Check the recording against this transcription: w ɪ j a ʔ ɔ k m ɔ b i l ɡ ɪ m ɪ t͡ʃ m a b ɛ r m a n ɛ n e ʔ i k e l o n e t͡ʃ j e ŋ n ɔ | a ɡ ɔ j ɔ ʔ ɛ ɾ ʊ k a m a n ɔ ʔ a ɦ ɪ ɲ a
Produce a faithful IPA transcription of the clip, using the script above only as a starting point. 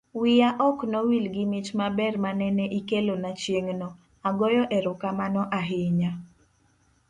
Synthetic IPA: w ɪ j a ʔ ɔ k n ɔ w i l ɡ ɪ m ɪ t͡ʃ m a b ɛ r m a n ɛ n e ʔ i k e l o n a t͡ʃ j e ŋ n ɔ | a ɡ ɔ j ɔ ʔ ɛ ɾ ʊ k a m a n ɔ ʔ a ɦ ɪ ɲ a